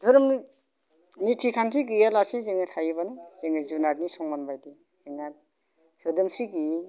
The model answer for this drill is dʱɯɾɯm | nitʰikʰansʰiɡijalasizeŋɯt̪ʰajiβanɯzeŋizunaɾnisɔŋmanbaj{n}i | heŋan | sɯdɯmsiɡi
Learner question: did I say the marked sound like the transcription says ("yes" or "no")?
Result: no